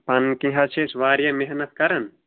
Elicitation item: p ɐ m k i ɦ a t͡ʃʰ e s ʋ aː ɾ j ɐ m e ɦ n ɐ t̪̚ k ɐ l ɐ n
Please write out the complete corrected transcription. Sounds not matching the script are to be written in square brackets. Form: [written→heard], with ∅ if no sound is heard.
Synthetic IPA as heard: p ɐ [m→n] k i ɦ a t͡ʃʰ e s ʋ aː ɾ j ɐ m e ɦ n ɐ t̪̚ k ɐ [l→ɾ] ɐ n